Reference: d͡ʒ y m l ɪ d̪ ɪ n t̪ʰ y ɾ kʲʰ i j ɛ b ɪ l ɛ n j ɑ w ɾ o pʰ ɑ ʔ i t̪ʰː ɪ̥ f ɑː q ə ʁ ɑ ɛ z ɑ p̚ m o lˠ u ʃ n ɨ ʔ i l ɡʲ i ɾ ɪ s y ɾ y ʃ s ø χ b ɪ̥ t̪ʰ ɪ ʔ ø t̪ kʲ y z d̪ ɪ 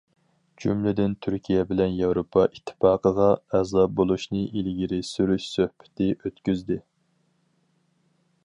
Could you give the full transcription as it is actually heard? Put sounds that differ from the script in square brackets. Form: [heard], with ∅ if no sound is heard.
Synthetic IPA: d͡ʒ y m l ɪ d̪ ɪ n t̪ʰ y ɾ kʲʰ i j ɛ b ɪ l ɛ n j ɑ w ɾ o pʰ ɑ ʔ i t̪ʰː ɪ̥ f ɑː q ə ʁ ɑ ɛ z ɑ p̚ [b] o lˠ u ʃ n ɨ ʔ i l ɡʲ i ɾ ɪ s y ɾ y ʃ s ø [h] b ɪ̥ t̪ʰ ɪ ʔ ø t̪ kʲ y z d̪ ɪ